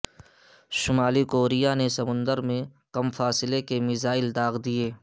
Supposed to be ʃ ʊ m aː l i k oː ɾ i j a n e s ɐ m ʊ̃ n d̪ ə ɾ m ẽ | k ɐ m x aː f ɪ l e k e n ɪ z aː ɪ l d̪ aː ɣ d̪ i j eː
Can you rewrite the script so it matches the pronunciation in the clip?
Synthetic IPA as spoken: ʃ ʊ m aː l i k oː ɾ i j a n e s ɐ m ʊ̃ n d̪ ə ɾ m ẽ | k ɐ m f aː s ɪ l e k e m ɪ z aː ɪ l d̪ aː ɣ d̪ i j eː